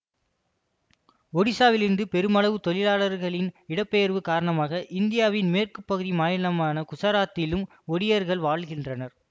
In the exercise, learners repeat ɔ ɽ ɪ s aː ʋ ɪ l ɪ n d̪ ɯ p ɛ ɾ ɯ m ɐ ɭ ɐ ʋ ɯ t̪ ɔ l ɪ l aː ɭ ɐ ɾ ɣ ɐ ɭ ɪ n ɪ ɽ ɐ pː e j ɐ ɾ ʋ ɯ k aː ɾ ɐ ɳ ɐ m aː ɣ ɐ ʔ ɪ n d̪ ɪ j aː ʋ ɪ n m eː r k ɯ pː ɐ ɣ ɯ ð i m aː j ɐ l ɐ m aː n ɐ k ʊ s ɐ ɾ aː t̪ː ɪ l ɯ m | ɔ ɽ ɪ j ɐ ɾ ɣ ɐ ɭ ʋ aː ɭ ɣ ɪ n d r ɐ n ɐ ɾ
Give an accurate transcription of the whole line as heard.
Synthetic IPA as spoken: ɔ ɽ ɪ s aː ʋ ɪ l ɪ n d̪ ɯ p ɛ ɾ ɯ m ɐ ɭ ɐ ʋ ɯ t̪ ɔ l ɪ l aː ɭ ɐ ɾ ɣ ɐ ɭ ɪ n ɪ ɽ ɐ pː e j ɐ ɾ ʋ ɯ k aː ɾ ɐ ɳ ɐ m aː ɣ ɐ ʔ ɪ n d̪ ɪ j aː ʋ ɪ n m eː r k ɯ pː ɐ ɣ ɯ ð i m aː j ɐ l ɐ m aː n ɐ k ʊ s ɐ ɾ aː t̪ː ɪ l ɯ m | ɔ ɽ ɪ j ɐ ɾ ɣ ɐ ɭ ʋ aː ɭ ɣ ɪ n d r ɐ n ɐ ɾ